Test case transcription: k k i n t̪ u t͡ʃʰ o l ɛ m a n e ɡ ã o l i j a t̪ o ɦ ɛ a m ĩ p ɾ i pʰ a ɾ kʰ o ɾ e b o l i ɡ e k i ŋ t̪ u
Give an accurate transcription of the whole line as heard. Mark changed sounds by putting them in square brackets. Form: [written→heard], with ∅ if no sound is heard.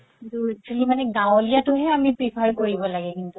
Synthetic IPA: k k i n t̪ u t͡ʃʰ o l [ɛ→i] m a n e ɡ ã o l i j a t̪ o ɦ ɛ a m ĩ p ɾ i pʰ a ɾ [kʰ→k] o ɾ [e→i] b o l [i→a] ɡ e k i [ŋ→n] t̪ u